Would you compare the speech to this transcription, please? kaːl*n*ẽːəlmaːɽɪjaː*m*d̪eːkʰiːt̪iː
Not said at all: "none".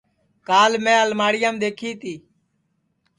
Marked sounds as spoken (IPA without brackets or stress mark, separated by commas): m, m